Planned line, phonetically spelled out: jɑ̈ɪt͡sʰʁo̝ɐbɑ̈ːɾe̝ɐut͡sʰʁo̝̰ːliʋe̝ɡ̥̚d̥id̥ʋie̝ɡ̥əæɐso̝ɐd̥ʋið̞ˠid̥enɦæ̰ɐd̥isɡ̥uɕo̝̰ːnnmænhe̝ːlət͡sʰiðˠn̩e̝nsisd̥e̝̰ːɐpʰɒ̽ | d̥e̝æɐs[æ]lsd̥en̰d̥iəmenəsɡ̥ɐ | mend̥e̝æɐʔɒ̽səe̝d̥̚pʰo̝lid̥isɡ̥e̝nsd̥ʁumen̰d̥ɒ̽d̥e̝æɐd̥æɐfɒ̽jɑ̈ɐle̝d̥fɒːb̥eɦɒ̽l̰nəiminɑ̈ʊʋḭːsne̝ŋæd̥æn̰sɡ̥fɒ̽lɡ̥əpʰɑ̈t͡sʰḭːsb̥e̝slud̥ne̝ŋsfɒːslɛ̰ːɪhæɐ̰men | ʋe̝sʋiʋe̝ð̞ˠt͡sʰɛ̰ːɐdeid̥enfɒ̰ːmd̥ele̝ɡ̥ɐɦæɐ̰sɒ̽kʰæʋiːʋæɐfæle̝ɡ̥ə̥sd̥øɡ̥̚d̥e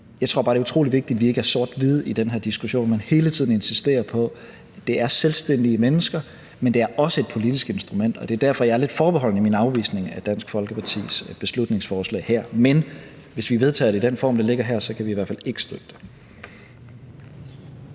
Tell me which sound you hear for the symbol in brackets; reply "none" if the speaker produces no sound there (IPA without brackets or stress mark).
e